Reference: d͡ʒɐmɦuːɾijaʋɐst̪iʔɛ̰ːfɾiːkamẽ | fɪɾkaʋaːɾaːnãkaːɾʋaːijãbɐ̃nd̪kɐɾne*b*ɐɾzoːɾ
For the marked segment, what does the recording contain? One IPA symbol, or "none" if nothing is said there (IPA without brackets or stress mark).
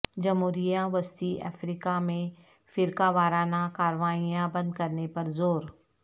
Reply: p